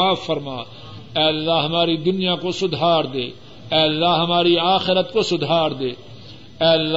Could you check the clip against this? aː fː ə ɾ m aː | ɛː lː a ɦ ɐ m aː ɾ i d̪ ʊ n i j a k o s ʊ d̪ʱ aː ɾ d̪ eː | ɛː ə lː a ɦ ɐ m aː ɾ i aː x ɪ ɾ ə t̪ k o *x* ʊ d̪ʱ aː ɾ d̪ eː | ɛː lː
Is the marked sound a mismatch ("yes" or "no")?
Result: yes